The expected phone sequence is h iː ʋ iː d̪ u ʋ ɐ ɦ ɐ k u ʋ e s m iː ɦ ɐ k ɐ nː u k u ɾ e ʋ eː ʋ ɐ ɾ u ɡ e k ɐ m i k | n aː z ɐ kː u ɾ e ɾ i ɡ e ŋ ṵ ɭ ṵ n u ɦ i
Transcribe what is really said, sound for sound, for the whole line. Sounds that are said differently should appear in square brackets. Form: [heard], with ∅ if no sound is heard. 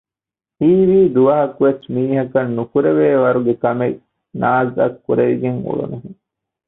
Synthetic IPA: h iː ʋ iː d̪ u ʋ ɐ ɦ ɐ k u ʋ e s m iː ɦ ɐ k ɐ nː u k u ɾ e ʋ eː ʋ ɐ ɾ u ɡ e k ɐ m [e] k | n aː z ɐ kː u ɾ e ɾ i ɡ e ŋ ṵ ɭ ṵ n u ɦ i